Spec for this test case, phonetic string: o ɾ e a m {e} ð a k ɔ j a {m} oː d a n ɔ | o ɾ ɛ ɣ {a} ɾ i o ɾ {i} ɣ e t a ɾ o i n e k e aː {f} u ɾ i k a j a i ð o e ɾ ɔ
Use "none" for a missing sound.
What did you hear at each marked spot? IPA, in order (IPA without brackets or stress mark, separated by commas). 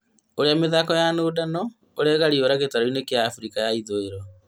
e, n, a, a, f